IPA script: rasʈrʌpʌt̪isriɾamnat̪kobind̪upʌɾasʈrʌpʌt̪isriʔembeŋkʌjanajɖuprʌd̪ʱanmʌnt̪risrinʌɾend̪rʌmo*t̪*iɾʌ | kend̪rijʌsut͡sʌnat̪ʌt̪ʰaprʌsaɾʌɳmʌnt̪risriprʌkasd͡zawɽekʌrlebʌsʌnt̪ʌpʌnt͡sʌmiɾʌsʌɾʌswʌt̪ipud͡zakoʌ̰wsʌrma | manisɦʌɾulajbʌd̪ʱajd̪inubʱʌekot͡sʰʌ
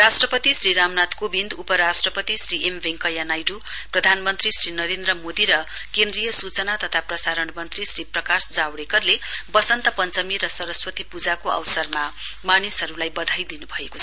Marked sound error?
yes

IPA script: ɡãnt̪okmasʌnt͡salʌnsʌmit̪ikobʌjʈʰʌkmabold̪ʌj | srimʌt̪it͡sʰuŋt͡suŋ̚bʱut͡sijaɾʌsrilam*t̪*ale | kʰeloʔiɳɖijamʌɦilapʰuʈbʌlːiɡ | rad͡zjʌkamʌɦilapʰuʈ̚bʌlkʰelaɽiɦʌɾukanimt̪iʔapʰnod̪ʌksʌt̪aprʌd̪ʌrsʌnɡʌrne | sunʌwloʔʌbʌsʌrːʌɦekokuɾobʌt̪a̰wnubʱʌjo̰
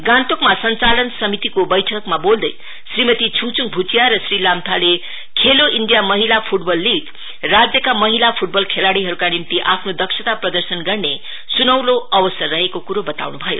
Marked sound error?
yes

